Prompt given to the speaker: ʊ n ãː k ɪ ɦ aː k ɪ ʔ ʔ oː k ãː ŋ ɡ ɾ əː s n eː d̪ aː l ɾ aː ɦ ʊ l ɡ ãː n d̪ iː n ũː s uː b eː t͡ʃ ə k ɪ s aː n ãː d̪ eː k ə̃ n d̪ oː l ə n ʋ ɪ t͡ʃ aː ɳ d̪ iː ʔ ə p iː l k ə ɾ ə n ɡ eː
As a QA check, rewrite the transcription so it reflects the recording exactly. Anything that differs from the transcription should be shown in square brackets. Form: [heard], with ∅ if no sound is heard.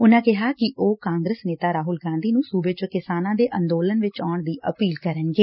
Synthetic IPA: ʊ n ãː k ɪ ɦ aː k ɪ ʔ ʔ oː k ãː ŋ ɡ ɾ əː s n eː [t̪] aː [∅] ɾ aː ɦ ʊ l ɡ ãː n d̪ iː n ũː s uː b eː t͡ʃ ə k ɪ s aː n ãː d̪ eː [ʔ] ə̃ n d̪ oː l ə n ʋ ɪ t͡ʃ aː ɳ d̪ iː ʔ ə p iː l k ə ɾ ə n ɡ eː